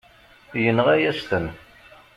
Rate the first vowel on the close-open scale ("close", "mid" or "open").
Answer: mid